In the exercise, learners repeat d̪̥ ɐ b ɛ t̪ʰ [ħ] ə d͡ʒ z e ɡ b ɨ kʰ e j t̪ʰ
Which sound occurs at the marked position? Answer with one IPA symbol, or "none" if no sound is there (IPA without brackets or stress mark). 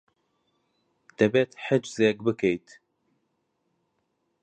ħ